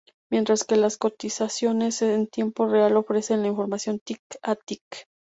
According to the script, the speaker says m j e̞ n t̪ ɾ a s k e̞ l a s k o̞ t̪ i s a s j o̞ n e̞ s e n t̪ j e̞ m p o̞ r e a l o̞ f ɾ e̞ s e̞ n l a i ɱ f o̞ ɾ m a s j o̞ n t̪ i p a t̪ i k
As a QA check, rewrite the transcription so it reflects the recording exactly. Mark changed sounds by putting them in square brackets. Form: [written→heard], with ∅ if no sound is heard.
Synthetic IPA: m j e̞ n t̪ ɾ a s k e̞ l a s k o̞ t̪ i s a s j o̞ n e̞ s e n t̪ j e̞ m p o̞ r e a l o̞ f ɾ e̞ s e̞ n l a i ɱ f o̞ ɾ m a s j o̞ n t̪ i [p→k] a t̪ i k